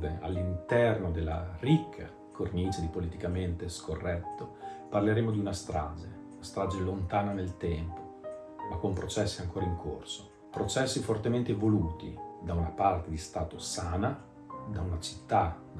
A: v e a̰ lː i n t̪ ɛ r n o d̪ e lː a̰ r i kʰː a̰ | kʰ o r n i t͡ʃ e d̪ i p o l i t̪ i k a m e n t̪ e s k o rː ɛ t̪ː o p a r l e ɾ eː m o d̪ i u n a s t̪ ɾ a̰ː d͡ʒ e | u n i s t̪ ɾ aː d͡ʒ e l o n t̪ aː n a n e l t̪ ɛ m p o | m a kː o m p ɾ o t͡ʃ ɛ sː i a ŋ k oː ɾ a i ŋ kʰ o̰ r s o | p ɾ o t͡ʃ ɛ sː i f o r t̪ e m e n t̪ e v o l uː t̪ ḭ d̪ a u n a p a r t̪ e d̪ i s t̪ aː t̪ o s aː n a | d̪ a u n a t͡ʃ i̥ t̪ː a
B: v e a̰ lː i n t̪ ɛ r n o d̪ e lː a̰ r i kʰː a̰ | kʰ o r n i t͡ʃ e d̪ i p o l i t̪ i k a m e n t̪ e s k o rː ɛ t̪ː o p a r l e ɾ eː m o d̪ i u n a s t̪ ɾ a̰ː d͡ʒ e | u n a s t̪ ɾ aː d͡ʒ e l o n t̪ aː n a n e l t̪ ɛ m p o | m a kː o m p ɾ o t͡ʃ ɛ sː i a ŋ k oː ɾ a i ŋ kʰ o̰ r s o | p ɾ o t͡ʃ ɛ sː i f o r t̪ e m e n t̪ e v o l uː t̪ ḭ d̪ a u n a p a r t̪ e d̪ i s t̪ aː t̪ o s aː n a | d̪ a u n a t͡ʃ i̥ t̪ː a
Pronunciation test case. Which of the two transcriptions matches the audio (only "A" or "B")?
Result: B